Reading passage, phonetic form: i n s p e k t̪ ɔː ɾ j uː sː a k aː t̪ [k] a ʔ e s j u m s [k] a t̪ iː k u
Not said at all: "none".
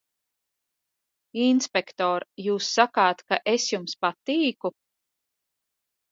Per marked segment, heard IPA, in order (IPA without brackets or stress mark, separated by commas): k, p